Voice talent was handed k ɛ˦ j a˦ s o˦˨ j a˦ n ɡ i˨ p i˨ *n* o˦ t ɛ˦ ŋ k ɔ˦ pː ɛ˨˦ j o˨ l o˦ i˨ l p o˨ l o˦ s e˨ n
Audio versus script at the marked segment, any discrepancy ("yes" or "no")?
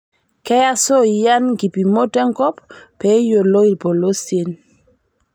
yes